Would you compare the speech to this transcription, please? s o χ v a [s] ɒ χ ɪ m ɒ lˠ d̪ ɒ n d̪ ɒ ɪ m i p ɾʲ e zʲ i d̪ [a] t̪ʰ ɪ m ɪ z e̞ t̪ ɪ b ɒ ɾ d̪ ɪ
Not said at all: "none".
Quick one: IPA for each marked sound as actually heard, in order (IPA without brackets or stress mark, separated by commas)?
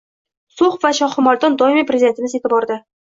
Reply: ʃ, e